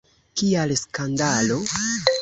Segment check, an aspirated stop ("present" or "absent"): absent